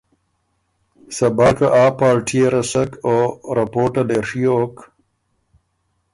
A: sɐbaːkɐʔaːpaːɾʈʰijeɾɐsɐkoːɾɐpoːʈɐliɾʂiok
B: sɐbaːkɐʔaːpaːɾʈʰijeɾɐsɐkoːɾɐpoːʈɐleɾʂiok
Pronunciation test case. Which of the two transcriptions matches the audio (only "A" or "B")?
B